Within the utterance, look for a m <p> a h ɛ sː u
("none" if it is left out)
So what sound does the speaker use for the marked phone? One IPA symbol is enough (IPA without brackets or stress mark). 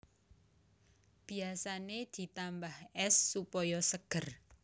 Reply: b